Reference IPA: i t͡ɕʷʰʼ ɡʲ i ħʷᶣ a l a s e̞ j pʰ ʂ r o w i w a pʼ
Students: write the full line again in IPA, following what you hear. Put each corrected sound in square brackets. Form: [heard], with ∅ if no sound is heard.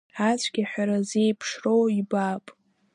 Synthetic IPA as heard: [a] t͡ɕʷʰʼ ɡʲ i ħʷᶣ a [ɾ] a [z] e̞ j pʰ ʂ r o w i [b] a pʼ